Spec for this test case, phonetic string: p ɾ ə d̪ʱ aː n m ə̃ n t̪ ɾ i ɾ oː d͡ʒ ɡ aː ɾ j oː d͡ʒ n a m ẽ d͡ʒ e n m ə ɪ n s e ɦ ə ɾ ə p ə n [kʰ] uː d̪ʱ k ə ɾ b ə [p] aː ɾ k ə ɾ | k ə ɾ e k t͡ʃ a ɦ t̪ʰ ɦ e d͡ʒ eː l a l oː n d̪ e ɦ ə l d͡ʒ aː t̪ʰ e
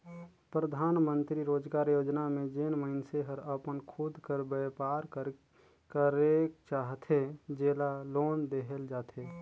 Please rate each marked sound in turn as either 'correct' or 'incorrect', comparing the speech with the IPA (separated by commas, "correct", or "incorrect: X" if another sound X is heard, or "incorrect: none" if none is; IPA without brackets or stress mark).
correct, correct